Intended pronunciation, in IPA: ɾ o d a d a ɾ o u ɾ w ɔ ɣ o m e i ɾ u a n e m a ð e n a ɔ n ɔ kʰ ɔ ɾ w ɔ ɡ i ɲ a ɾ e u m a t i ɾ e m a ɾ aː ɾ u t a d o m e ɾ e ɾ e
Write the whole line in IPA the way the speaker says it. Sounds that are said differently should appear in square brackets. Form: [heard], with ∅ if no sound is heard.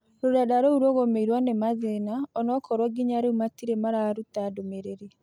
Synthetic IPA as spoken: ɾ o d a d a ɾ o u ɾ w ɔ ɣ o m e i ɾ [w] a n e m a ð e n a ɔ n ɔ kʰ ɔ ɾ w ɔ ɡ i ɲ a ɾ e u m a t i ɾ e m a ɾ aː ɾ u t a d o m e ɾ e ɾ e

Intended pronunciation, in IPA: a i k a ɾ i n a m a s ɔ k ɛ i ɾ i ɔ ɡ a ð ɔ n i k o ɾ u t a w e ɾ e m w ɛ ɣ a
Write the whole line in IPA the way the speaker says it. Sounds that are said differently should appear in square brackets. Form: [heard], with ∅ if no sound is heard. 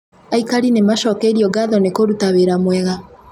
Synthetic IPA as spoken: a i k a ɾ i n [e] m a [ʃ] ɔ k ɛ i ɾ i ɔ ɡ a ð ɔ n [e] k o ɾ u t a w e ɾ [a] m w ɛ ɣ a

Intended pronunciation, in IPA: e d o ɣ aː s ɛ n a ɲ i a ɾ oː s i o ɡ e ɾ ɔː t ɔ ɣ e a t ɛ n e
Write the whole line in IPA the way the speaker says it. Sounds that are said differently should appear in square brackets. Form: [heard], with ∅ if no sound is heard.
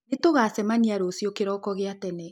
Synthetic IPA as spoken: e [t] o ɣ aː s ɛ [m] a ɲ i a ɾ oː s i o [k] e ɾ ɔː [k] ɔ ɣ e a t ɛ n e

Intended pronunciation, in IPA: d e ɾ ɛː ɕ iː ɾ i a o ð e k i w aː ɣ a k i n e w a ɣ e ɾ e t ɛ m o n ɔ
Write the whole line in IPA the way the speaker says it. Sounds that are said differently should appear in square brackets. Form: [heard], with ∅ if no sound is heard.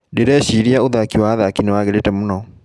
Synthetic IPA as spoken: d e ɾ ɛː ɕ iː ɾ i a o ð [a] k i w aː [ð] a k i n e w a ɣ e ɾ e t ɛ m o n ɔ

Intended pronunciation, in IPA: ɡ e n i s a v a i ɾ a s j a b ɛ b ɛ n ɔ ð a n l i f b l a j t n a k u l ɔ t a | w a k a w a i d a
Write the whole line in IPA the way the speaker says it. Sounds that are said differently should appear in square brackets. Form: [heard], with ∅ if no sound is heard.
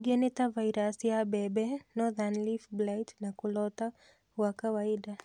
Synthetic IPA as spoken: ɡ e n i [t] a v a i ɾ a s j a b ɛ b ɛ n ɔ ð a n l i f b l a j t n a k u l ɔ t a | w a k a w a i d a

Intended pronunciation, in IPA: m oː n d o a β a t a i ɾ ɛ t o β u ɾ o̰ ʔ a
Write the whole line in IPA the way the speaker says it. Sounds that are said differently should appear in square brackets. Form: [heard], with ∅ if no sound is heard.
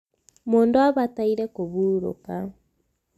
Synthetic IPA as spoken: m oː n d o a β a t a i ɾ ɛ [k] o β u ɾ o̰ [k] a

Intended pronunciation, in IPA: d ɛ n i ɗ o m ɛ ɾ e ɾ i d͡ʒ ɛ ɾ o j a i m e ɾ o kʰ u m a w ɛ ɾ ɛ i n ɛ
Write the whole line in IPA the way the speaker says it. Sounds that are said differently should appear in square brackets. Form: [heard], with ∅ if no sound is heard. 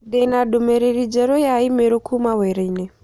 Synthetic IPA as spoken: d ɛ n [a] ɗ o m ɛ ɾ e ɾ i d͡ʒ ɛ ɾ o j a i m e ɾ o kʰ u m a w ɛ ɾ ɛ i n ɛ

